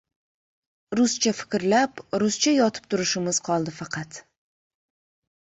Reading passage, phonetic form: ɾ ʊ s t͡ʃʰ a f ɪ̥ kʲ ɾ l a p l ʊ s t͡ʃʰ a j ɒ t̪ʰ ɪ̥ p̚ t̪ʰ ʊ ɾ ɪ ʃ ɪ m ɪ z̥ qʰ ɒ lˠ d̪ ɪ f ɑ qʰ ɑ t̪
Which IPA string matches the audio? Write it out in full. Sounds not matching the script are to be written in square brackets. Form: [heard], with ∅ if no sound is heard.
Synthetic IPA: ɾ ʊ s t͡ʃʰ a f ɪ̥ kʲ ɾ l a p [ɾ] ʊ s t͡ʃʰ a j ɒ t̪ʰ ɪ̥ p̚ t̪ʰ ʊ ɾ ɪ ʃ ɪ m ɪ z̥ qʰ ɒ lˠ d̪ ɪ f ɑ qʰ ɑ t̪

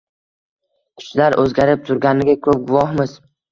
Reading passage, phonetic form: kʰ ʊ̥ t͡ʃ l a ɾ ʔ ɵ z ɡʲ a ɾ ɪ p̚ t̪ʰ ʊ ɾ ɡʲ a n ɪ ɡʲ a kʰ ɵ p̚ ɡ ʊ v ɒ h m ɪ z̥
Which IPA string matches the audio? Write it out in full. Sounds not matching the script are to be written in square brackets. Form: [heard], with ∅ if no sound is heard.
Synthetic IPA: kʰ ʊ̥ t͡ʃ l a ɾ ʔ ɵ z ɡʲ a ɾ ɪ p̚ t̪ʰ ʊ ɾ ɡʲ a n ɪ ɡʲ a kʰ ɵ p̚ ɡ ʊ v ɒ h m ɪ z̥

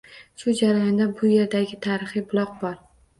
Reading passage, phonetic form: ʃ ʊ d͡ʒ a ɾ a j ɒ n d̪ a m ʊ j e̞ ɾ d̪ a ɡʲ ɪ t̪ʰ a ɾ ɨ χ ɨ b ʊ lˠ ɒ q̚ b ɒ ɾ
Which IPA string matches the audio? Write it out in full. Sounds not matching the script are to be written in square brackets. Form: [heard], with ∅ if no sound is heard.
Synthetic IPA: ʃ ʊ d͡ʒ a ɾ a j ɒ n d̪ a [b] ʊ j e̞ ɾ d̪ a ɡʲ ɪ t̪ʰ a ɾ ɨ χ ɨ b ʊ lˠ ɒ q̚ b ɒ ɾ

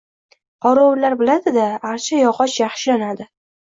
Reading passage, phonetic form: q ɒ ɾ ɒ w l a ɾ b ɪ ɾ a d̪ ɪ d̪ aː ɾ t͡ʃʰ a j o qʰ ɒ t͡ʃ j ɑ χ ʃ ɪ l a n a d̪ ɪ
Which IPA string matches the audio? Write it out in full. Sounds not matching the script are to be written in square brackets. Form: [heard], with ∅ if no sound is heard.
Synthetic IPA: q ɒ ɾ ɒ w l a ɾ b ɪ [l] a d̪ ɪ d̪ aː ɾ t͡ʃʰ a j [ɒ] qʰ ɒ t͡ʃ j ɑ χ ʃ ɪ l a n a d̪ ɪ

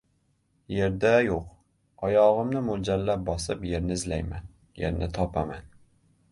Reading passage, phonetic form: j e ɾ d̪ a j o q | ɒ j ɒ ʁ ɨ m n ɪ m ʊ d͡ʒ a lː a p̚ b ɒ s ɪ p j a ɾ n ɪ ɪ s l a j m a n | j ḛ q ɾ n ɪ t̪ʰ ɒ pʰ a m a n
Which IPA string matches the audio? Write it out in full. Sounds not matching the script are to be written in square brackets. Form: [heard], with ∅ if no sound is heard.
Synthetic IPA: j e ɾ d̪ a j o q | ɒ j ɒ ʁ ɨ m n ɪ m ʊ d͡ʒ a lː a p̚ b ɒ s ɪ p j [e] ɾ n ɪ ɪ [z] l a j m a n | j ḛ [∅] ɾ n ɪ t̪ʰ ɒ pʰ a m a n

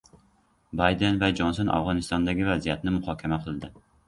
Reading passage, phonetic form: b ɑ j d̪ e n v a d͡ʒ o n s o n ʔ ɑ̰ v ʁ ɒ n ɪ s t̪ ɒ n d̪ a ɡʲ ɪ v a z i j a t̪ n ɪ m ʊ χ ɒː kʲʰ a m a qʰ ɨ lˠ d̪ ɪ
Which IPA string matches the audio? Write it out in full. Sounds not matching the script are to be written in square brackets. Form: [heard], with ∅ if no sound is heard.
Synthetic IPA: b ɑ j d̪ e n v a d͡ʒ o n s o n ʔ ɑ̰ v ʁ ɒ n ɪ s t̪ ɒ n d̪ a ɡʲ ɪ v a z i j a t̪ n ɪ m ʊ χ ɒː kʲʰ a m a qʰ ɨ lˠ d̪ ɪ

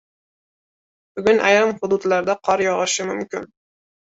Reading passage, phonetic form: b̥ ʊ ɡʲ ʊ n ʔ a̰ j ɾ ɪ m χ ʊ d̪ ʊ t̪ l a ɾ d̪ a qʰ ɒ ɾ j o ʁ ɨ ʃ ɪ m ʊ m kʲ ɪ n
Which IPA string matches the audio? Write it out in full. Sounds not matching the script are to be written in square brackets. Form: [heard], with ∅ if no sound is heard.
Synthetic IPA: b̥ ʊ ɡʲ ʊ n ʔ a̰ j ɾ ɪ m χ ʊ d̪ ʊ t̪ l a ɾ d̪ a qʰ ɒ ɾ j [ɒ] ʁ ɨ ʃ ɪ m ʊ m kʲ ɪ n

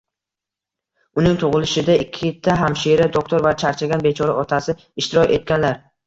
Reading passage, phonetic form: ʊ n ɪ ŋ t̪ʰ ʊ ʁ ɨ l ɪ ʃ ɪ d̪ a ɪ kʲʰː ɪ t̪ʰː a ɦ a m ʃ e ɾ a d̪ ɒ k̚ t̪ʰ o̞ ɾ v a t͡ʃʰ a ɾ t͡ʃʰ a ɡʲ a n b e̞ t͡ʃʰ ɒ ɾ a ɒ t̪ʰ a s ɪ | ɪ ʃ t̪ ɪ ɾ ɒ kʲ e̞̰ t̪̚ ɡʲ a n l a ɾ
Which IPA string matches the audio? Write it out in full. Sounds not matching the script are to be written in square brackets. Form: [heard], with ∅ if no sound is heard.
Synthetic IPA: ʊ n ɪ ŋ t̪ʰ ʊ ʁ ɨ l ɪ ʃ ɪ d̪ a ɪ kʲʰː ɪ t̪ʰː a ɦ a m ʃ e ɾ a d̪ [o] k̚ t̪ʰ o̞ ɾ v a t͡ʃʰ a ɾ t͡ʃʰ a ɡʲ a n b e̞ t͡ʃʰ ɒ ɾ a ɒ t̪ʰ a s ɪ | ɪ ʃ t̪ ɪ ɾ ɒ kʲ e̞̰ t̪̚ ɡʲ a n l a ɾ

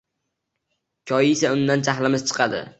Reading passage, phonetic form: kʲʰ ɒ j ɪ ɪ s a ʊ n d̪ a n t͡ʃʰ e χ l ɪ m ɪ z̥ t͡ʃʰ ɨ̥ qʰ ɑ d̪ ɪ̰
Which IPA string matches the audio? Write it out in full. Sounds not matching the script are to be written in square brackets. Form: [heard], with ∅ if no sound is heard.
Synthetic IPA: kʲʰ ɒ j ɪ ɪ s a ʊ n d̪ a n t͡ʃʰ [a] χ l ɪ m ɪ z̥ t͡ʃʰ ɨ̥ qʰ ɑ d̪ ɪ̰

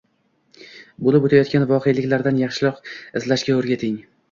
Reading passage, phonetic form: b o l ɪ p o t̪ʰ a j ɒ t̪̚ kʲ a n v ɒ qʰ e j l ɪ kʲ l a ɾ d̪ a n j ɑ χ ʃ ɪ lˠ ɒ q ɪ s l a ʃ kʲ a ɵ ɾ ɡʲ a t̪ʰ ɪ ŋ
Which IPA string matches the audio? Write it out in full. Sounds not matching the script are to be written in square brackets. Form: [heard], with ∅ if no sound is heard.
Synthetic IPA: b o l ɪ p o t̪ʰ a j ɒ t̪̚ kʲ a n v ɒ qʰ e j l ɪ kʲ l a ɾ d̪ a n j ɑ χ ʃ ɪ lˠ ɒ q ɪ [z] l a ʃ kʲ a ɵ ɾ ɡʲ a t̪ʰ ɪ ŋ

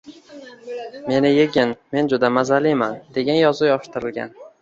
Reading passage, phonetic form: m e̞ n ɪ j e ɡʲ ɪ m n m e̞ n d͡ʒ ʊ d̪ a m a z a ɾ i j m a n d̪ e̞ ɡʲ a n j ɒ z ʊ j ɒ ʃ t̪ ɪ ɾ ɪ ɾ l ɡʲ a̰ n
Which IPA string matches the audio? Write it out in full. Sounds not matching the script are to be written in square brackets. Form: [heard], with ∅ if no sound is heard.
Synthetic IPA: m e̞ n ɪ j e ɡʲ ɪ [∅] n m e̞ n d͡ʒ ʊ d̪ a m a z a [l] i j m a n d̪ e̞ ɡʲ a n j ɒ z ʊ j ɒ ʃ t̪ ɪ ɾ ɪ [∅] l ɡʲ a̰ n

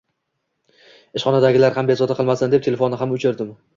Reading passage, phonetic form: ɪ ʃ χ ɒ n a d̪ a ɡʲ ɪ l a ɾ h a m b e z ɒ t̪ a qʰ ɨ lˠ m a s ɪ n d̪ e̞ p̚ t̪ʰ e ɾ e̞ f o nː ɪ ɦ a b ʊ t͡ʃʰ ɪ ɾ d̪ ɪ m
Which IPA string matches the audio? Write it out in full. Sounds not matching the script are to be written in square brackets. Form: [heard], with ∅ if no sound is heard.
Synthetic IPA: ɪ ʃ χ ɒ n a d̪ a ɡʲ ɪ l a ɾ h a m b e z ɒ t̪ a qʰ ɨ lˠ m a s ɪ n d̪ e̞ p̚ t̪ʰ e [l] e̞ f o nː ɪ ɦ a [m] ʊ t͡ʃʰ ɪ ɾ d̪ ɪ m

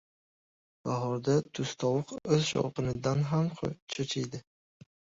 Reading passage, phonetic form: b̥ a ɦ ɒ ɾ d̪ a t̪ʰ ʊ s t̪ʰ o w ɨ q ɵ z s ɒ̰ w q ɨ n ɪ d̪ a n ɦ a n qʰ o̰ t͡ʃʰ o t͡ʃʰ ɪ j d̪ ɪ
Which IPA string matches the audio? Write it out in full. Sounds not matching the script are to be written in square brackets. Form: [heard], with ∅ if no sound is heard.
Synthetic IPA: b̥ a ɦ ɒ ɾ d̪ a t̪ʰ ʊ s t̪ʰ [ɒ] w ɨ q ɵ z [ʃ] ɒ̰ w q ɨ n ɪ d̪ a n ɦ a [m] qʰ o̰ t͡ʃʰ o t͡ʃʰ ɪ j d̪ ɪ

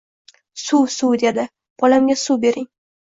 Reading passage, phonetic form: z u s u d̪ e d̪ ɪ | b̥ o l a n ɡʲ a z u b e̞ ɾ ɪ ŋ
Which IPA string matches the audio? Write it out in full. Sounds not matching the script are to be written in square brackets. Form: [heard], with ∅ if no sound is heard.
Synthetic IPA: [s] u s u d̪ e d̪ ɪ | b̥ [ɒ] l a [m] ɡʲ a [s] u b e̞ ɾ ɪ ŋ

